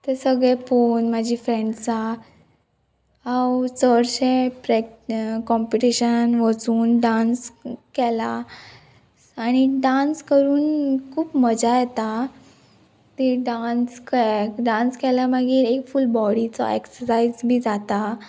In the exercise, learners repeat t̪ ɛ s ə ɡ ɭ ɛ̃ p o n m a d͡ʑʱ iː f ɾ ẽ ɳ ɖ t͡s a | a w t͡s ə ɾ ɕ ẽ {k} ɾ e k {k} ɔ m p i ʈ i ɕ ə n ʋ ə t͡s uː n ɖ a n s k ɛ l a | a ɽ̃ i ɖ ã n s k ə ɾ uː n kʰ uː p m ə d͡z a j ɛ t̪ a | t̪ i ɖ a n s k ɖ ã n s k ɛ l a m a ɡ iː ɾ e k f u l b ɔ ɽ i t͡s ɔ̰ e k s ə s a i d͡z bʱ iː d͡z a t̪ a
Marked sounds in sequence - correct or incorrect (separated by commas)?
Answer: incorrect, correct